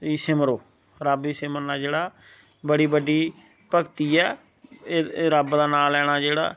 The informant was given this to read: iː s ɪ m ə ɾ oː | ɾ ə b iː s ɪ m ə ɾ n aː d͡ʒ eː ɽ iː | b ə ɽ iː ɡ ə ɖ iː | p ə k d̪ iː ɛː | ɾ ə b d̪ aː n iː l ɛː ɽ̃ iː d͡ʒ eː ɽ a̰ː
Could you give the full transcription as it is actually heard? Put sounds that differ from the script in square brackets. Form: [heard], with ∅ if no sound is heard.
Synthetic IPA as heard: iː s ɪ m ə ɾ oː | ɾ ə b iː s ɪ m ə ɾ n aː d͡ʒ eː ɽ [aː] | b ə ɽ iː [b] ə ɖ iː | p ə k [t̪] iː ɛː | ɾ ə b d̪ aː n [aː] l ɛː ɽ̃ [aː] d͡ʒ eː ɽ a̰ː